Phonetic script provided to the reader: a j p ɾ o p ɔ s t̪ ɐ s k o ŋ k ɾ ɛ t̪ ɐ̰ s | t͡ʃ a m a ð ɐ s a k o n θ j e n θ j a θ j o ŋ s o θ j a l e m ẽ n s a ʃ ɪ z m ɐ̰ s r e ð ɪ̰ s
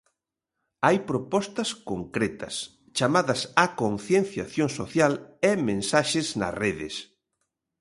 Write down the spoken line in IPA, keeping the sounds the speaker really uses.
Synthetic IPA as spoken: a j p ɾ o p ɔ s t̪ ɐ s k o ŋ k ɾ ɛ t̪ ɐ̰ s | t͡ʃ a m a ð ɐ s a k o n θ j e n θ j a θ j o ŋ s o θ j a l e m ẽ n s a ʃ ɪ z n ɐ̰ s r e ð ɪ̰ s